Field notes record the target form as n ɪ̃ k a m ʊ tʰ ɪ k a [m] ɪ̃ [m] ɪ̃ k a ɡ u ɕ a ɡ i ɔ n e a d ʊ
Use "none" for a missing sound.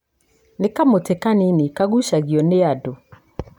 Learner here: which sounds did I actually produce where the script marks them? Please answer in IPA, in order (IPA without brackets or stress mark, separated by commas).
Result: n, n